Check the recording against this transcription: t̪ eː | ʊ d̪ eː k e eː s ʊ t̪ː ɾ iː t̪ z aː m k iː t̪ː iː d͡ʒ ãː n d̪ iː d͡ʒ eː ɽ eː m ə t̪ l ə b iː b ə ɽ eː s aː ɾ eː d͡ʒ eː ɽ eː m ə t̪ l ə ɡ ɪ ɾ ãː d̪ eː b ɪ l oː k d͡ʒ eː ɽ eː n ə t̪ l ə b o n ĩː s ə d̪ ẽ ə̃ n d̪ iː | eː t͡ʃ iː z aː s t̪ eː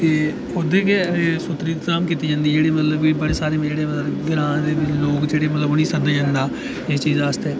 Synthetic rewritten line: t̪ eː | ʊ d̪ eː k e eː s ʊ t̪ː ɾ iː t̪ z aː m k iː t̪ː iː d͡ʒ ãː n d̪ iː d͡ʒ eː ɽ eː m ə t̪ l ə b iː b ə ɽ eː s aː ɾ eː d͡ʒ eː ɽ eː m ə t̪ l ə ɡ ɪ ɾ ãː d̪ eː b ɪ l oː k d͡ʒ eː ɽ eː m ə t̪ l ə b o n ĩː s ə d̪ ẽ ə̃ n d̪ aː | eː t͡ʃ iː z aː s t̪ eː